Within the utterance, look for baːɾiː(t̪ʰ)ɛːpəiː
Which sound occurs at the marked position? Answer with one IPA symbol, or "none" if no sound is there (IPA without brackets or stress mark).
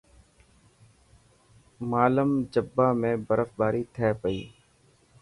t̪ʰ